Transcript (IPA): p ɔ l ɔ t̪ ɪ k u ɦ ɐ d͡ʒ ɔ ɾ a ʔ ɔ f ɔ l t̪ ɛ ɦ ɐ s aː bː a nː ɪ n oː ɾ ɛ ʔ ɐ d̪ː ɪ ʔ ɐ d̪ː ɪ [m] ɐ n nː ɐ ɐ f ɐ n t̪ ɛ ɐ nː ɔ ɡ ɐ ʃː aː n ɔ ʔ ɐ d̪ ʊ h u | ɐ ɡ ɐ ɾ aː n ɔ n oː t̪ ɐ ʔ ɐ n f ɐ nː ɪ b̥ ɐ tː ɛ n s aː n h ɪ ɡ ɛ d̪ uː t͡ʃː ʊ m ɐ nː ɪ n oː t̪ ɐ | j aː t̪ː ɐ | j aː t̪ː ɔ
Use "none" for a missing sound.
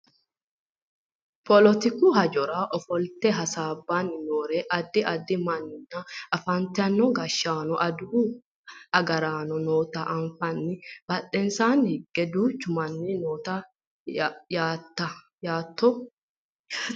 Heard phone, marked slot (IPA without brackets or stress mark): m